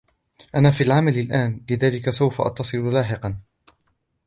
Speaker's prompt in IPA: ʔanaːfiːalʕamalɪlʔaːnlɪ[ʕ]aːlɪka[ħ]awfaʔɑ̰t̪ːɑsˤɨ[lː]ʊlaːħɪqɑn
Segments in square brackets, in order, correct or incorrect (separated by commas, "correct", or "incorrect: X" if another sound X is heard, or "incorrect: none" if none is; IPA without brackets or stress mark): incorrect: ð, incorrect: s, incorrect: l